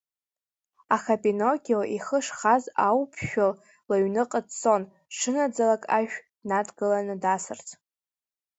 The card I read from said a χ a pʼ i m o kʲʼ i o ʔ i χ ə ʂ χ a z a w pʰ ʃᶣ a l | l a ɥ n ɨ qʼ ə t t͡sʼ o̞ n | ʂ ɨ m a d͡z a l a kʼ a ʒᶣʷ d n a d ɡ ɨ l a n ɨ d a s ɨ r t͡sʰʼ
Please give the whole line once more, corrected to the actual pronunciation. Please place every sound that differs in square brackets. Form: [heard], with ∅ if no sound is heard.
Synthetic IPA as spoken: a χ a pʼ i [n] o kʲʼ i o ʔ i χ ə ʂ χ a z a w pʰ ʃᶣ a l | l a ɥ n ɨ qʼ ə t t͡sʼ o̞ n | ʂ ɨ [n] a d͡z a l a kʼ a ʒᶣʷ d n a d ɡ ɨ l a n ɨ d a s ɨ r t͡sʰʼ